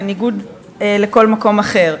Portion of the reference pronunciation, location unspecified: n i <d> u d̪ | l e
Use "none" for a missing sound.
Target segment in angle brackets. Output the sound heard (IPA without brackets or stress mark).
ɡ